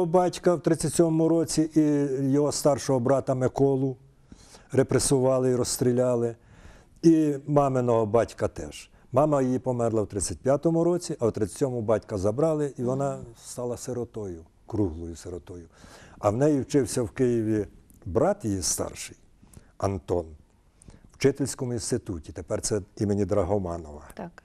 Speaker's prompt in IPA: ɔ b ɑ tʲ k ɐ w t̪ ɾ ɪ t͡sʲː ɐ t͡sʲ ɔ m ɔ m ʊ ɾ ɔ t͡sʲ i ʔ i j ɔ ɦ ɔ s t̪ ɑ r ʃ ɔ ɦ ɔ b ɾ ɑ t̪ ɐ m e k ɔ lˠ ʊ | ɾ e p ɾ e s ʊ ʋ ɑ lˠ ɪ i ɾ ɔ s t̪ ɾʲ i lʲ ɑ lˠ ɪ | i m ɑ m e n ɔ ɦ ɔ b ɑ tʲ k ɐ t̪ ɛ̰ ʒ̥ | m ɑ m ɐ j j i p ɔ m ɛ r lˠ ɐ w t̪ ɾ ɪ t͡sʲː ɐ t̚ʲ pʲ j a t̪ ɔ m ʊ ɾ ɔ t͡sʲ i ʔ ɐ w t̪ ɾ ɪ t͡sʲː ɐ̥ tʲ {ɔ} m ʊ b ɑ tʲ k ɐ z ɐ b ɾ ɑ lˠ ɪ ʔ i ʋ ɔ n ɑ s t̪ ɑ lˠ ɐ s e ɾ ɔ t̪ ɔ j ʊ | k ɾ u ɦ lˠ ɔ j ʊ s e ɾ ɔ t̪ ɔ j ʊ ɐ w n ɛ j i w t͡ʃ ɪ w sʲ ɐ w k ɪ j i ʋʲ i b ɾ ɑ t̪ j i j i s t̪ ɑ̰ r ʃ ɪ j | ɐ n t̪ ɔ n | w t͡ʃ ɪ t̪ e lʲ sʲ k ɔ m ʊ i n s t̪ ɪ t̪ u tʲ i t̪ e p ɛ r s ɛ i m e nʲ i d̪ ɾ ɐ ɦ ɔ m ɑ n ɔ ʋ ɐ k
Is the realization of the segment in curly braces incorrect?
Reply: no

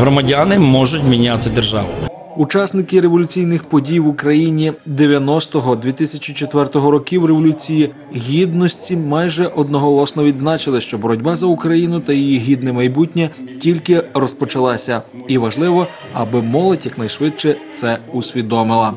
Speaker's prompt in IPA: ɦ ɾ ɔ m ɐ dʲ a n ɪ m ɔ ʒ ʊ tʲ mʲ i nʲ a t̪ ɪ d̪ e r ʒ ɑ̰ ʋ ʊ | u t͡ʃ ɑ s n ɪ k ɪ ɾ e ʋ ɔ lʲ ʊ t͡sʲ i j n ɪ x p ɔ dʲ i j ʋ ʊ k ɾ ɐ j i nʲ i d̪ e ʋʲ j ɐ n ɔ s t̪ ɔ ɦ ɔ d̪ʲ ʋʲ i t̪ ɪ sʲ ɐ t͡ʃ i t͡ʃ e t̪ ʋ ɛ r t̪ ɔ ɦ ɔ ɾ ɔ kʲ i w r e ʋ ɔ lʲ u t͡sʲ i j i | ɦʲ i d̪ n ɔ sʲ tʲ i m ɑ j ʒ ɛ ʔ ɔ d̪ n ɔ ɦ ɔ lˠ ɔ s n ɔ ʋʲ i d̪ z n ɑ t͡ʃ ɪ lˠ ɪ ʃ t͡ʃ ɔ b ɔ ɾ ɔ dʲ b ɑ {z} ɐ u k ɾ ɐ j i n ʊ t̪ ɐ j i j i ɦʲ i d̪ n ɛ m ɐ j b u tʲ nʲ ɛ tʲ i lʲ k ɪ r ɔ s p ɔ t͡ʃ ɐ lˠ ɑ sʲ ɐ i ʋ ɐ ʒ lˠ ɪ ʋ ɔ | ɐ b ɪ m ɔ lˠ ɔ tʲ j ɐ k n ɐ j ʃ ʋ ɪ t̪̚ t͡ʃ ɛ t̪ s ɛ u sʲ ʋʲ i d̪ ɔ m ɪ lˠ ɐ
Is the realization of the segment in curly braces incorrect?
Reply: no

